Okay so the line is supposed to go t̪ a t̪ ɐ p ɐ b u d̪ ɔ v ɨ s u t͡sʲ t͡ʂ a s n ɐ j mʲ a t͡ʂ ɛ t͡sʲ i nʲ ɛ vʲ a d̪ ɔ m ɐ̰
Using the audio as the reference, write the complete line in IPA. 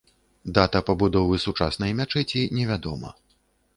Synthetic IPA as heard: d̪ a t̪ ɐ p ɐ b u d̪ ɔ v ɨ s u t͡ʂ a s n ɐ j mʲ a t͡ʂ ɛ t͡sʲ i nʲ ɛ vʲ a d̪ ɔ m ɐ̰